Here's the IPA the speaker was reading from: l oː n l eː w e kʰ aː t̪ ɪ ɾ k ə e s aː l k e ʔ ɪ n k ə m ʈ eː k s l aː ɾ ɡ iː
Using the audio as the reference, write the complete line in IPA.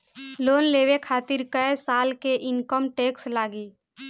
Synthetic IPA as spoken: l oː n l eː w e kʰ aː t̪ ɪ ɾ k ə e s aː l k e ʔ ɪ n k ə m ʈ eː k s l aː ɡ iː